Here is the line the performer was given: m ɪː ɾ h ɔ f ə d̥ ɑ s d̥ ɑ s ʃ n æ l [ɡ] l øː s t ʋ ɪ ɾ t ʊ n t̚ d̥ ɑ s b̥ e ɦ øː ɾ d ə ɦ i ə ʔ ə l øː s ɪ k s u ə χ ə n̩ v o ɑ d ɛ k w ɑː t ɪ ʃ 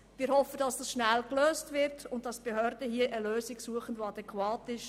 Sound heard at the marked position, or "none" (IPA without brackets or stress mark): k